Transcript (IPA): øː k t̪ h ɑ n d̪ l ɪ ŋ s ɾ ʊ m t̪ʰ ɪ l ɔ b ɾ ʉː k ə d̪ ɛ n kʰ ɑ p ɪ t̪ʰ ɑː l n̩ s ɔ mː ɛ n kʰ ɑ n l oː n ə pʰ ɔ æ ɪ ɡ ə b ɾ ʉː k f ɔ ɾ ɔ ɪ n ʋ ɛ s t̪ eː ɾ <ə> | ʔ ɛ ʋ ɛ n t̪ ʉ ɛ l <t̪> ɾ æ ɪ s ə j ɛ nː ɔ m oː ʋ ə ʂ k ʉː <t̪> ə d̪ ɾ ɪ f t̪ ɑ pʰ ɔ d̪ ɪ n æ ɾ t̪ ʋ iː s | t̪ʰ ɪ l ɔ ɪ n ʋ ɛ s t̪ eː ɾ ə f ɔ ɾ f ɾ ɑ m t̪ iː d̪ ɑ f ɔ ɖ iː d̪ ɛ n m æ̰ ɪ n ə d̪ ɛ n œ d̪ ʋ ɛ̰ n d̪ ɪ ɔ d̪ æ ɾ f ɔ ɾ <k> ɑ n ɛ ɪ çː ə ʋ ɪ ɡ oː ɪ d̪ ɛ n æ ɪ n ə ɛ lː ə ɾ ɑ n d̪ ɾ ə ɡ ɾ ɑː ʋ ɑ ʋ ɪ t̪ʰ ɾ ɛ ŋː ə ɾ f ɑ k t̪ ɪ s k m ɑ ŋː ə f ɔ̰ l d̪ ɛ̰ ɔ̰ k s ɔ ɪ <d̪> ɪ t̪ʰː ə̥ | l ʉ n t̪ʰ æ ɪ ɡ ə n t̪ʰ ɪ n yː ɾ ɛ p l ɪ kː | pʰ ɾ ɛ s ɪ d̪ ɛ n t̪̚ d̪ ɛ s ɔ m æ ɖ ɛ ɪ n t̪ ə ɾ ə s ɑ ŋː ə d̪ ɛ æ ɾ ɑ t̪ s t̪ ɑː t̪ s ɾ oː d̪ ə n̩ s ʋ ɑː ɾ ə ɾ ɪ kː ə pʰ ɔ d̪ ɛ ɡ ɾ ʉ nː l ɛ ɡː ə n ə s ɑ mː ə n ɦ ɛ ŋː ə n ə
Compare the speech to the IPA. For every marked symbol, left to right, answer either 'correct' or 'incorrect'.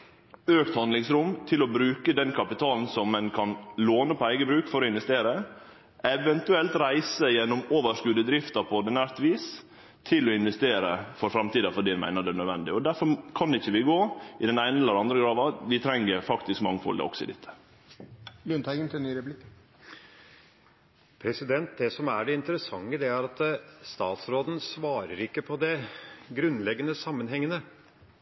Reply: correct, correct, incorrect: d̪, incorrect: kʰ, correct

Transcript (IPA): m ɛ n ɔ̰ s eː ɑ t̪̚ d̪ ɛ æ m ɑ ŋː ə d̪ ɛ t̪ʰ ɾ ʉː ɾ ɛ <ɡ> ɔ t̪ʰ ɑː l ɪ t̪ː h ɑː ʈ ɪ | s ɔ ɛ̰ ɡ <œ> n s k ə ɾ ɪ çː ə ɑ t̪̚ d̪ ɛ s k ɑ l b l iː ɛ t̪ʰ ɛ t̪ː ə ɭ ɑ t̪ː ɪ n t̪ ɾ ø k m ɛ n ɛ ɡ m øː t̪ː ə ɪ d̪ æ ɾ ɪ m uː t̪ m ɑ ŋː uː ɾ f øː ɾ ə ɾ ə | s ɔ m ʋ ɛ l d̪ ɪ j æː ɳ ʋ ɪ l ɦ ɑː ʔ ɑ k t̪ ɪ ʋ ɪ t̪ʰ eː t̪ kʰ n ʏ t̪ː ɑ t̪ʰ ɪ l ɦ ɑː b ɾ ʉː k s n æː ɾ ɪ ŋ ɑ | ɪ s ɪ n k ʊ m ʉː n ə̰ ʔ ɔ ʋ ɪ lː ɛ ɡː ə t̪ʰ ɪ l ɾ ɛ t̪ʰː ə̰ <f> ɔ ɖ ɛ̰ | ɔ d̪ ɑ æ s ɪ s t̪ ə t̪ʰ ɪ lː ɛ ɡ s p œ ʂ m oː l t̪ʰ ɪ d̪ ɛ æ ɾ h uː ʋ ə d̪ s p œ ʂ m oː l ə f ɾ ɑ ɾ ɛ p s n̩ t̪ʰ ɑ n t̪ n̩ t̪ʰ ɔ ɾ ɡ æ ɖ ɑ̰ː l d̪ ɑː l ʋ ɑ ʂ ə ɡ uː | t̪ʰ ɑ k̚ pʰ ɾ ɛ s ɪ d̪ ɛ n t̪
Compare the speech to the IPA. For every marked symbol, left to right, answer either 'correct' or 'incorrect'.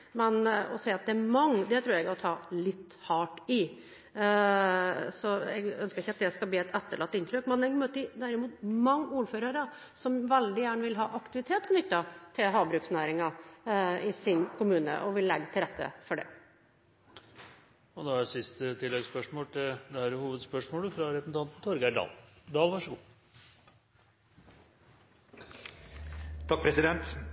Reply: correct, correct, correct

